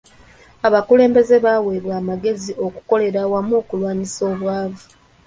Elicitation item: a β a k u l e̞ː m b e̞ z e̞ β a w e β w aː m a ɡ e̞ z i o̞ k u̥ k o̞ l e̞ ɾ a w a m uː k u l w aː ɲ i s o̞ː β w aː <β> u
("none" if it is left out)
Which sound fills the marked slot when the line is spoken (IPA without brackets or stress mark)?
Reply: v